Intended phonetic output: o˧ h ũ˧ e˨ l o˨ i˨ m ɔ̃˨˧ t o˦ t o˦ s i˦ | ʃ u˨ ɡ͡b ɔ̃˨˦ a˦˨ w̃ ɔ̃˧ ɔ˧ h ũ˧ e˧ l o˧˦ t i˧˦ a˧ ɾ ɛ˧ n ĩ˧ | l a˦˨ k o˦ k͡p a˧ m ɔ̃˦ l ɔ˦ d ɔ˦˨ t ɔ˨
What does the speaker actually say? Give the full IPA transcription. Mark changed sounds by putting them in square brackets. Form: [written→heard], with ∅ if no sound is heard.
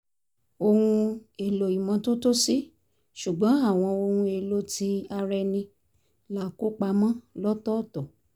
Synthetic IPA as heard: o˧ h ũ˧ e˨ l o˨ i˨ m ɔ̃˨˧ t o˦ t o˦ s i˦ | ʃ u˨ ɡ͡b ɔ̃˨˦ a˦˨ w̃ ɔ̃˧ [ɔ˧→o˧] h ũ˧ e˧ l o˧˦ t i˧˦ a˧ ɾ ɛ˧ n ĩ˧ | l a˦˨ k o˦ k͡p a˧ m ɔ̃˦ l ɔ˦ [d→t] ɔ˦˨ t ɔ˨